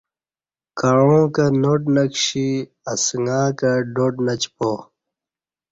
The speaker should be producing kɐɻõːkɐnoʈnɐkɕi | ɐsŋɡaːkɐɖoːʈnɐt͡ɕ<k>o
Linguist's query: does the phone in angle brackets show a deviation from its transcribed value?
yes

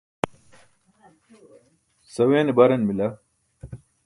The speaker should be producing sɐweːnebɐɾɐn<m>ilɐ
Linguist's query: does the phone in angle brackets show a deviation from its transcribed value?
no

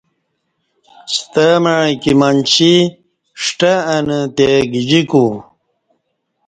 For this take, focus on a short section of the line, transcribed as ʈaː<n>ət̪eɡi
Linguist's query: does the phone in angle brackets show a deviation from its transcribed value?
no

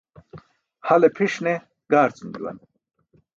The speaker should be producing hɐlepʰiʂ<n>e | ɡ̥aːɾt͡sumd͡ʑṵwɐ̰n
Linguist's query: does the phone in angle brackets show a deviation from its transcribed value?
no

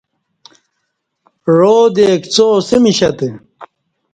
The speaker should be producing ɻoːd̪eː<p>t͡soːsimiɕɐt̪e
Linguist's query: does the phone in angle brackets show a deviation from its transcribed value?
yes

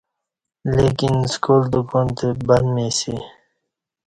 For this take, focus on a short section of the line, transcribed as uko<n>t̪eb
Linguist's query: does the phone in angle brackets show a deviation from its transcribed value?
no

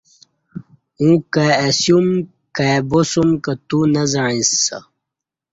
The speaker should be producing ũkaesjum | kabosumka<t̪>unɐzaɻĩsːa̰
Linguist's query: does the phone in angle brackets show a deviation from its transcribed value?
no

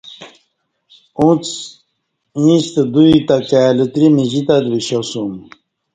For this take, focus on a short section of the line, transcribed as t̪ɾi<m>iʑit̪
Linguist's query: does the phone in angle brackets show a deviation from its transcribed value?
no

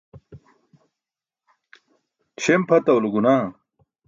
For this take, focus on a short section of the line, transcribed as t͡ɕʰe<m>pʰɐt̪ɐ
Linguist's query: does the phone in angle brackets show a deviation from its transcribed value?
no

